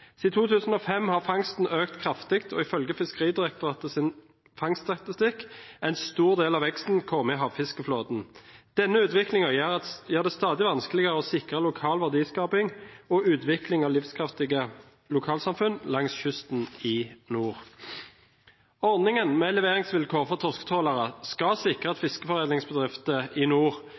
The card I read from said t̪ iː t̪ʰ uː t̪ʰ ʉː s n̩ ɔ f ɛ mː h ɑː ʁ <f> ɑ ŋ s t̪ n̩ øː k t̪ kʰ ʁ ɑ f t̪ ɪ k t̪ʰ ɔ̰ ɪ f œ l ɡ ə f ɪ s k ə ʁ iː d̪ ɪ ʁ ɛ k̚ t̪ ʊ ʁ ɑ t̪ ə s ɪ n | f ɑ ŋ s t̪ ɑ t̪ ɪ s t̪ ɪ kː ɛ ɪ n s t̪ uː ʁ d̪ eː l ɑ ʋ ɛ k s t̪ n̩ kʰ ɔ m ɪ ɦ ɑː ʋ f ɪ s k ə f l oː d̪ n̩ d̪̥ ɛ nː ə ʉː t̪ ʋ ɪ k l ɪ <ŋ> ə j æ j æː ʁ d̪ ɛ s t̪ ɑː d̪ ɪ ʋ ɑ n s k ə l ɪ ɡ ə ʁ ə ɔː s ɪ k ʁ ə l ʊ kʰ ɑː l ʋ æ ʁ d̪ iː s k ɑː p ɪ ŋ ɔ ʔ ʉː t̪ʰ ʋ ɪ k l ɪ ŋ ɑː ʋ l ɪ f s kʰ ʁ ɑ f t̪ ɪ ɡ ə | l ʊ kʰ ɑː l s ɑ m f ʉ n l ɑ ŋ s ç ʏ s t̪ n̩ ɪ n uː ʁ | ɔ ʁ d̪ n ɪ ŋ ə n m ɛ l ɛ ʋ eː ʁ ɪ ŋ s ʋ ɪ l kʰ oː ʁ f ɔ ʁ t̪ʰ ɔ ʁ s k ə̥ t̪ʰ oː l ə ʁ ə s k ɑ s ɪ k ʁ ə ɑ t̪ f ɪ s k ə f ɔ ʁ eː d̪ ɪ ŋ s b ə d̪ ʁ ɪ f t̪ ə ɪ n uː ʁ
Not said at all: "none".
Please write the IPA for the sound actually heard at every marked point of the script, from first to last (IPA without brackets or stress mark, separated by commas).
f, ŋ